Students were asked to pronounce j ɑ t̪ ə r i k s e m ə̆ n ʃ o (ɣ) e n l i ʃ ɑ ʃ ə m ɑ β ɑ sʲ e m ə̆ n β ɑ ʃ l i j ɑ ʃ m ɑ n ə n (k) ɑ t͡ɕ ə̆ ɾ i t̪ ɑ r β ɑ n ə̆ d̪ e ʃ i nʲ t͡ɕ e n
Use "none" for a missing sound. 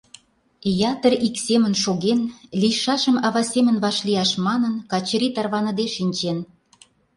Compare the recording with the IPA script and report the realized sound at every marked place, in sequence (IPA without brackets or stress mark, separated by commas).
ɣ, k